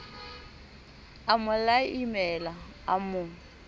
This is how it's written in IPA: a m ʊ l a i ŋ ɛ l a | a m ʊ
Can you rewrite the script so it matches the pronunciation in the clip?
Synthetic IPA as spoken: a m ʊ l a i m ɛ l a | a m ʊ